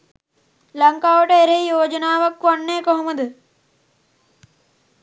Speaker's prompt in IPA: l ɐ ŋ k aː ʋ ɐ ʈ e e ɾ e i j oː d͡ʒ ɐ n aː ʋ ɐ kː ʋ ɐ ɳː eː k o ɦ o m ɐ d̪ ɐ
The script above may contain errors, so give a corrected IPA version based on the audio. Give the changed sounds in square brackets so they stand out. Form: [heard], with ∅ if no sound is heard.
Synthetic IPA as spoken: l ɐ ŋ k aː ʋ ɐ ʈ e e ɾ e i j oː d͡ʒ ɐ n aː ʋ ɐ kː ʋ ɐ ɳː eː k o ɦ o m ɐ d̪ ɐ